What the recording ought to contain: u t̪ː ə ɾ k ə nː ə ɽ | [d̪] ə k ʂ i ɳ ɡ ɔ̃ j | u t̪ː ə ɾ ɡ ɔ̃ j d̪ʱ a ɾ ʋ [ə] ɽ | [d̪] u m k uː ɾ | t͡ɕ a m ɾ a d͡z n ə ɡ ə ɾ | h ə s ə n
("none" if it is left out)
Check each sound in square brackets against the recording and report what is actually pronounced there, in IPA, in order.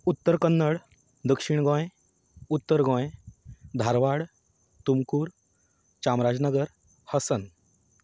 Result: d̪, a, t̪

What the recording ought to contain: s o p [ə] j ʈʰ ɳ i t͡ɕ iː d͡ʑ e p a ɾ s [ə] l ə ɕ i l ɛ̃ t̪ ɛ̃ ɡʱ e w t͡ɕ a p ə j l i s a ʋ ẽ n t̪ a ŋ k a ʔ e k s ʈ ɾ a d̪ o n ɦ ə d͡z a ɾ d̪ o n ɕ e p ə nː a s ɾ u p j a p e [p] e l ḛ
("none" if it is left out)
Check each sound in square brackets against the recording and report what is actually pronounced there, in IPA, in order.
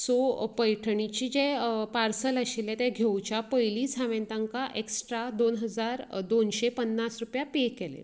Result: ə, ə, k

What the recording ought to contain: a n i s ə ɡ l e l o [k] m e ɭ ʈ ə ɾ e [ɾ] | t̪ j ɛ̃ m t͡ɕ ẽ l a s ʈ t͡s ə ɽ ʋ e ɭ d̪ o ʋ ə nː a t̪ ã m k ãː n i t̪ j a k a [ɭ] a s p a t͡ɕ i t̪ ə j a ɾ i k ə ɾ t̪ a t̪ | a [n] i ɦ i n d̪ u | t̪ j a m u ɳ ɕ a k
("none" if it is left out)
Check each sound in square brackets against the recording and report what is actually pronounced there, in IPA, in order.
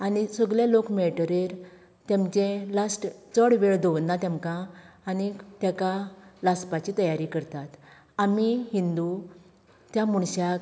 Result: k, ɾ, l, m

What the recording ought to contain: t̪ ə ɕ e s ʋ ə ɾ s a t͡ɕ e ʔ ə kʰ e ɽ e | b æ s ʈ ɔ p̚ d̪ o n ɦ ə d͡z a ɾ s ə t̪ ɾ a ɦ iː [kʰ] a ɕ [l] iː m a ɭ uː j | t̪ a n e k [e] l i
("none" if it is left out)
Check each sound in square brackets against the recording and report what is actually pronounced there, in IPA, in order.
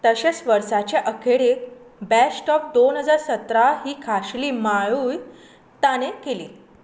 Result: kʰ, l, e

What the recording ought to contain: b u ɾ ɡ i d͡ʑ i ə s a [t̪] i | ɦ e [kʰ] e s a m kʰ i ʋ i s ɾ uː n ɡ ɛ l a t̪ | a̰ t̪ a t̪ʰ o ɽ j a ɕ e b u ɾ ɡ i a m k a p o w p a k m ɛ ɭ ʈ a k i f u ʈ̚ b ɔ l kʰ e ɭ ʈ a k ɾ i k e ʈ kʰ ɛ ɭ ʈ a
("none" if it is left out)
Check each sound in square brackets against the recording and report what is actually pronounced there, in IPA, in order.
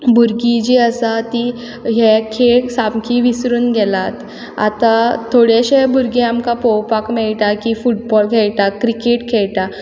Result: t̪, kʰ

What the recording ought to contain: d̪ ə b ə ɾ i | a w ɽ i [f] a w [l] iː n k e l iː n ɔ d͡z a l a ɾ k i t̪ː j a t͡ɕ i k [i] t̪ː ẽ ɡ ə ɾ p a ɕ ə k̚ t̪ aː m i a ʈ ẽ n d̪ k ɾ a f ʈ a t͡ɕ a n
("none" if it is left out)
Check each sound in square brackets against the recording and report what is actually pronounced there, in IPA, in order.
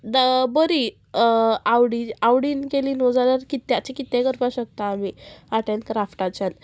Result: none, ɽ, i

